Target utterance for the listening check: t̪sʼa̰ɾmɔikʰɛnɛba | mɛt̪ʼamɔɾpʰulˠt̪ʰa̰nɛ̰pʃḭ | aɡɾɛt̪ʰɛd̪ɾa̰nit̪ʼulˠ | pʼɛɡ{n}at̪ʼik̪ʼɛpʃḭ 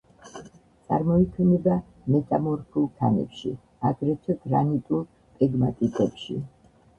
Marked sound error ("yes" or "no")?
yes